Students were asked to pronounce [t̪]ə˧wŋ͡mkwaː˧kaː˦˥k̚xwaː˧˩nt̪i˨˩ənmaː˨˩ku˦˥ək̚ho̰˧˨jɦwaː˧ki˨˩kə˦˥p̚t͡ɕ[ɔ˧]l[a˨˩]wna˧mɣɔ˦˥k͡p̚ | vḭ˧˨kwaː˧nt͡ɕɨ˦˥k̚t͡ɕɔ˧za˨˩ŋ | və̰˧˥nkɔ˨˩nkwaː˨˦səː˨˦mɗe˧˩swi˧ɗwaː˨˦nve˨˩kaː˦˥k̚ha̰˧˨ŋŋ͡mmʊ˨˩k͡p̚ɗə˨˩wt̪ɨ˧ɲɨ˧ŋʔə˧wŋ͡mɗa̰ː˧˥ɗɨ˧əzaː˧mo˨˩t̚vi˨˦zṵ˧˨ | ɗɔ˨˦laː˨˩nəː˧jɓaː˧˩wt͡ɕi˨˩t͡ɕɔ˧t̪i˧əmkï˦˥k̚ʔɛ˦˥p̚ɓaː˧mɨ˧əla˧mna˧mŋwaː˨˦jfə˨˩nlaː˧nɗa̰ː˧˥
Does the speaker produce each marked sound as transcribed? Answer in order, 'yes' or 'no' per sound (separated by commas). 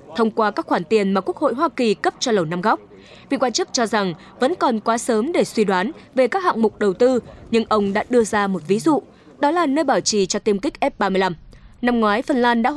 no, yes, no